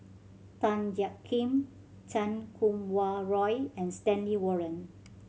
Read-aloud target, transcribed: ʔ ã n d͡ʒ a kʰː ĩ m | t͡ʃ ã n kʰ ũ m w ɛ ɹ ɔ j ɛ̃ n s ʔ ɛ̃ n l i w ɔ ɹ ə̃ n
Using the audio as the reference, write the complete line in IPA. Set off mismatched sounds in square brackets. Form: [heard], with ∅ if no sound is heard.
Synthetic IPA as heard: [t] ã n d͡ʒ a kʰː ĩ m | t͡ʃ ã n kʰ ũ m w [a] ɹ ɔ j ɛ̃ n s [t] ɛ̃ n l i w ɔ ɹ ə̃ n

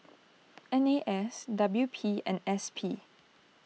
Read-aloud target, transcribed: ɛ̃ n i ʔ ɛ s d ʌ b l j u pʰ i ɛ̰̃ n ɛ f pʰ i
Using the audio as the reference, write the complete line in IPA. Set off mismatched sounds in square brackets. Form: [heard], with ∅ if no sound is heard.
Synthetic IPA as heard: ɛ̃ n [e] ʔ ɛ s d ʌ b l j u pʰ i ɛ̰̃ n ɛ [s] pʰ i

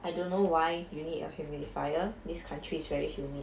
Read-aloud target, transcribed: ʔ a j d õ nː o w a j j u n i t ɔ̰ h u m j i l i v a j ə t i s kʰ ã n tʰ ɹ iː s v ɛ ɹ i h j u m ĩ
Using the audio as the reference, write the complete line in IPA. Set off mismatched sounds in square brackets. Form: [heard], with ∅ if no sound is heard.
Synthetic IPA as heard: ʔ a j d õ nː o w a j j u n i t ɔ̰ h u m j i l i [f] a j ə [d] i s kʰ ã n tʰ ɹ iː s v ɛ ɹ i h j u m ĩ

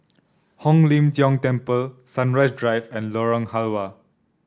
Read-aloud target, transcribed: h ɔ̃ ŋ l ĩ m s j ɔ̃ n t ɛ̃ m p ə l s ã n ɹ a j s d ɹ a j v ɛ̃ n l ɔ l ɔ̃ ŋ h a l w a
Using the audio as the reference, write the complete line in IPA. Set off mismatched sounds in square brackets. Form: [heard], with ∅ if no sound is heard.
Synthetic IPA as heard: h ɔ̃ ŋ l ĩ m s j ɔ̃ [ŋ] t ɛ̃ m p ə l s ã n ɹ a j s d ɹ a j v ɛ̃ n l ɔ [ɹ] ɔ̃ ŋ h a l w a

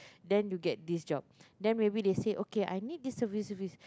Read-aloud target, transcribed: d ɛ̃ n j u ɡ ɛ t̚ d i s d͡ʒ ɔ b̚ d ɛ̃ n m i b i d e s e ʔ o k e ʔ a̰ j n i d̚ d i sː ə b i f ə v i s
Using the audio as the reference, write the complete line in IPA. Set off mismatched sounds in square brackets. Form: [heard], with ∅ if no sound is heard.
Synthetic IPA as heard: d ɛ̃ n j u ɡ ɛ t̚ d i s d͡ʒ ɔ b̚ d ɛ̃ n m [e] b i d e s e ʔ o k e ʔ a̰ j n i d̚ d i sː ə [v] i [s] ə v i s

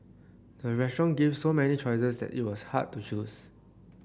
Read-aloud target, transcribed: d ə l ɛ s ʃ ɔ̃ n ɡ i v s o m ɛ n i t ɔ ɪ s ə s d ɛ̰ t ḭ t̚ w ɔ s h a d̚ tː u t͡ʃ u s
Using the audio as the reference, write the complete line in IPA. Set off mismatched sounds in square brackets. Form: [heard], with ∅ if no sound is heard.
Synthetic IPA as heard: d ə [ɹ] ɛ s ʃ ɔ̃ n ɡ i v s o m ɛ n i [t͡ʃ] ɔ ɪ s ə s d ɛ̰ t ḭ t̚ w ɔ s h a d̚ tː u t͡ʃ u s

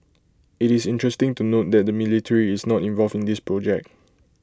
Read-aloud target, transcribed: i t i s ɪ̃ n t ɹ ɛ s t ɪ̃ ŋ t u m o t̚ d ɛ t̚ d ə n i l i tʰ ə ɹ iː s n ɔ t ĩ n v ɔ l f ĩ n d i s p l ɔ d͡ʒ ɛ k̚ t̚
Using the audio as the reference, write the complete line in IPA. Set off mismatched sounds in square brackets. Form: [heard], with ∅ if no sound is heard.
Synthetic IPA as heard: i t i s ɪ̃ n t ɹ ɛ s t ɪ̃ ŋ t u [n] o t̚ d ɛ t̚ d ə [m] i l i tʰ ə ɹ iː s n ɔ t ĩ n v ɔ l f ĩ n d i s p [ɹ] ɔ d͡ʒ ɛ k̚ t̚

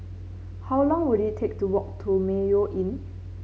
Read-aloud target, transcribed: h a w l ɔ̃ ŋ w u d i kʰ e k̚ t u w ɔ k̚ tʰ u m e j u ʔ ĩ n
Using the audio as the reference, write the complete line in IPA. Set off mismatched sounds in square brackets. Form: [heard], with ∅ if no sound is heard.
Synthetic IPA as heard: h a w l ɔ̃ ŋ w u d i [tʰ] e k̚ t u w ɔ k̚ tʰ u m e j [o] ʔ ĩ n

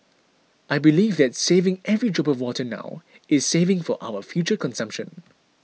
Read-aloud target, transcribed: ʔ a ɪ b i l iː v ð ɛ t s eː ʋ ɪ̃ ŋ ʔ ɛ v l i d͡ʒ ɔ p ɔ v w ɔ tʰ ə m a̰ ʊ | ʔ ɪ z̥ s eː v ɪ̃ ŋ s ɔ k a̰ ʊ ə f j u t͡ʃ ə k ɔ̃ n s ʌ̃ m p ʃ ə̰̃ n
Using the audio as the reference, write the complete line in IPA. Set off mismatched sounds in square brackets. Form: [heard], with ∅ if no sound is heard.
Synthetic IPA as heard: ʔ a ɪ b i l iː v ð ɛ t s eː [v] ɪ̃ ŋ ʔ ɛ v [ɹ] i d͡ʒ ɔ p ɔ v w ɔ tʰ ə [n] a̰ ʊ | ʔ ɪ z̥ s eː v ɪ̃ ŋ [f] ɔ [ʔ] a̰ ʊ ə f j u t͡ʃ ə k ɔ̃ n s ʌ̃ m p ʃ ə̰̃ n

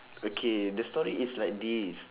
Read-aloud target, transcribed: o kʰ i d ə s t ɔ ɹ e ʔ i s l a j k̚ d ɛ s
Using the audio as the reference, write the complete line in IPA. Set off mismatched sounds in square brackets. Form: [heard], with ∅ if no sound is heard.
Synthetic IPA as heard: o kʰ [e] d ə s t ɔ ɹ [i] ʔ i s l a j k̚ d [i] s

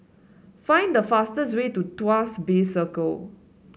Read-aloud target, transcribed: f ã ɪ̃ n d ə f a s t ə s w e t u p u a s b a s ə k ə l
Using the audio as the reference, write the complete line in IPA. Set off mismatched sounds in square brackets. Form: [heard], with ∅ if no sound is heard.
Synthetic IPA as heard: f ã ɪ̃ n d ə f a s t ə s w e t u [t] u a s b [e] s ə k ə l

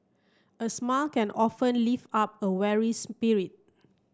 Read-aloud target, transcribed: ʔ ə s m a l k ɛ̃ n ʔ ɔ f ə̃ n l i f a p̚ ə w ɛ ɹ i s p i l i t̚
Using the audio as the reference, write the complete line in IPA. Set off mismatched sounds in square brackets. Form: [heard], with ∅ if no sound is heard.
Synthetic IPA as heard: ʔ ə s m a l k ɛ̃ n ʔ ɔ f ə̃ n l i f a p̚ ə w ɛ ɹ i s p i [ɹ] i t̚

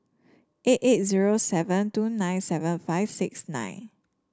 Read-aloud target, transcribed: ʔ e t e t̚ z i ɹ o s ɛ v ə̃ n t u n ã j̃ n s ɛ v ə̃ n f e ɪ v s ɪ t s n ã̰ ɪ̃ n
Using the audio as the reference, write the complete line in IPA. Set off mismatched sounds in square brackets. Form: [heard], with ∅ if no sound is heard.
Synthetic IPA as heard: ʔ e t e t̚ z i ɹ o s ɛ v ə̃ n t u n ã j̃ n s ɛ v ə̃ n f [a] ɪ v s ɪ [k] s n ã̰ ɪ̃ n

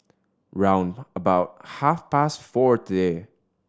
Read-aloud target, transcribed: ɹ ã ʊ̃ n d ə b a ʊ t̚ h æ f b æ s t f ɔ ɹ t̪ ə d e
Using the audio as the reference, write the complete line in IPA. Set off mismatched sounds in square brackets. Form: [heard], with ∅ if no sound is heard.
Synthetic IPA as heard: ɹ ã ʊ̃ n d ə b a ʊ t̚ h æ f [p] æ s t f ɔ ɹ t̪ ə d e

